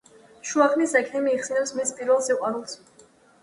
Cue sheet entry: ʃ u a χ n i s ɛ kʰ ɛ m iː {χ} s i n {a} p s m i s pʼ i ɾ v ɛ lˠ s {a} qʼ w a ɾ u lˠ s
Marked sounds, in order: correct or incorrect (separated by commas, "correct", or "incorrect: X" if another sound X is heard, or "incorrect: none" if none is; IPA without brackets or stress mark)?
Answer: correct, incorrect: ɛ, incorrect: i